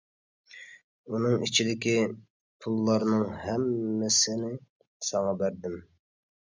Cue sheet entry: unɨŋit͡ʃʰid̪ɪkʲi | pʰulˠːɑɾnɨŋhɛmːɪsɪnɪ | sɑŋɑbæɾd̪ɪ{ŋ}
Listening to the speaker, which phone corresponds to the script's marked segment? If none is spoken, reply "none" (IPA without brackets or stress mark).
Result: m